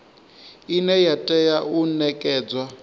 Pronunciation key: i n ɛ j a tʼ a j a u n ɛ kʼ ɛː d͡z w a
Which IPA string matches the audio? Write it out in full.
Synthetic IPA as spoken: i n ɛ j a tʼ ɛ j a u n ɛ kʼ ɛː d͡z w a